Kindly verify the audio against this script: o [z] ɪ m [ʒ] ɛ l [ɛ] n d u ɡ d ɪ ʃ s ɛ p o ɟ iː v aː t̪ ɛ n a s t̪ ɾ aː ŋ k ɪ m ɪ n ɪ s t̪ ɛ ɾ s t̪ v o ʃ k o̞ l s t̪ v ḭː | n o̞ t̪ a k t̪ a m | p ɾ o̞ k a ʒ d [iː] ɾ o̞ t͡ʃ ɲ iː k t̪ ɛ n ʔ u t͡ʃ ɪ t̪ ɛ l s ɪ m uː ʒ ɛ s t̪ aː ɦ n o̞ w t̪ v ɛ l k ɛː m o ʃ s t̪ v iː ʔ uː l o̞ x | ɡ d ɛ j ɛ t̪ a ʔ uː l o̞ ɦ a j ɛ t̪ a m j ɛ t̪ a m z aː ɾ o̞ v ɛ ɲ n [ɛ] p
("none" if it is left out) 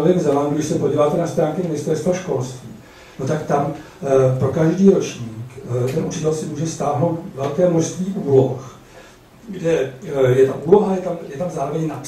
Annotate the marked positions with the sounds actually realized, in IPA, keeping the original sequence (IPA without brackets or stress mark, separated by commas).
v, z, a, iː, a